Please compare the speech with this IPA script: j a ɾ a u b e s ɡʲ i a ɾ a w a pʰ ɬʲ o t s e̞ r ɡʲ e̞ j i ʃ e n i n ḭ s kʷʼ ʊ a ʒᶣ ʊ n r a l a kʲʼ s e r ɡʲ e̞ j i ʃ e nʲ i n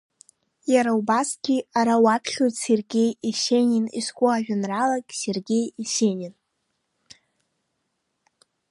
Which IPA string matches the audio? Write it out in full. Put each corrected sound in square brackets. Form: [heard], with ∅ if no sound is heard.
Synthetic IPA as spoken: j a ɾ a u b [a] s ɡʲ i a ɾ a w a pʰ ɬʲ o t s e̞ r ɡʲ e̞ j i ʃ e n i n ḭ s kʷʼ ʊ a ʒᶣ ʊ n r a l a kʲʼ s e r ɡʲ e̞ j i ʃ e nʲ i n